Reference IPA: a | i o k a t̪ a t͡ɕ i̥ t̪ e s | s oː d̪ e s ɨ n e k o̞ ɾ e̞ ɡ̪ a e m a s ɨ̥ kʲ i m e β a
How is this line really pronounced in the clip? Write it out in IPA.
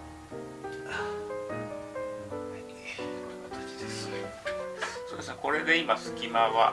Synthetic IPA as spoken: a | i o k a t̪ a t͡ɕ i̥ d̪ e s | s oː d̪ e s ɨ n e k o̞ ɾ e̞ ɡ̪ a i m a s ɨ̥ kʲ i m a β a